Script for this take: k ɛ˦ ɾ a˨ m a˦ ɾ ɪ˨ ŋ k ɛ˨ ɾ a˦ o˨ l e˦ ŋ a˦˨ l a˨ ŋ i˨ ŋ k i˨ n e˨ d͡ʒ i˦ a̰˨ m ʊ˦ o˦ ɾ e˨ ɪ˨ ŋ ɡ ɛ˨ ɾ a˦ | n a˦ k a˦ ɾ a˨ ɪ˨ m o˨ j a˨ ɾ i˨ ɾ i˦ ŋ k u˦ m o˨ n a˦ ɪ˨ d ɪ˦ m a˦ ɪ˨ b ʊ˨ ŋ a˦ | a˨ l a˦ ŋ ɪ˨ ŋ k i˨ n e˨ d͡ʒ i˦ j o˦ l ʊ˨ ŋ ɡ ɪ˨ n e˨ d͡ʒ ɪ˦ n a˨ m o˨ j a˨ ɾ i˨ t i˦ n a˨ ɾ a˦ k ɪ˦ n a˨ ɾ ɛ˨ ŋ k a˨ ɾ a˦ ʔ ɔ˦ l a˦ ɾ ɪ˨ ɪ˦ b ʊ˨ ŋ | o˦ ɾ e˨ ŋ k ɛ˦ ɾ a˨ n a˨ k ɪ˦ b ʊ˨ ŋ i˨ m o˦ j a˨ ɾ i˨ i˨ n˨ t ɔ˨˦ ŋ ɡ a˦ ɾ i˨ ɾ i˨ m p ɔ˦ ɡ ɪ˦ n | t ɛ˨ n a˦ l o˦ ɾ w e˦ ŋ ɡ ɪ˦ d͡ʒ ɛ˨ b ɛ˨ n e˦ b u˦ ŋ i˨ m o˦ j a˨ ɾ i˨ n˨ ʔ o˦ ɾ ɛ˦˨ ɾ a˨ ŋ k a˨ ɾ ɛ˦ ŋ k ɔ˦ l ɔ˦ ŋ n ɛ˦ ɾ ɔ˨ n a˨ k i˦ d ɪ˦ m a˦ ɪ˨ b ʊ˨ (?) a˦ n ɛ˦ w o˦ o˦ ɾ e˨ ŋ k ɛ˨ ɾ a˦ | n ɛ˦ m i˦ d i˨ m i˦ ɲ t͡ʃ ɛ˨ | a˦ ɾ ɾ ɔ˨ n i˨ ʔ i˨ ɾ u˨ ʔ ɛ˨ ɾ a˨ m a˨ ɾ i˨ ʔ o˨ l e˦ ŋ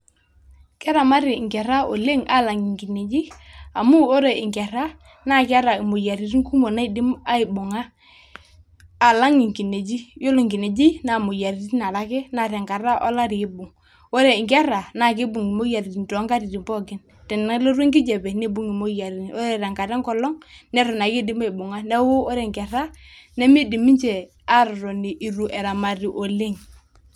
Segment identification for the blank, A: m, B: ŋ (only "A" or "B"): B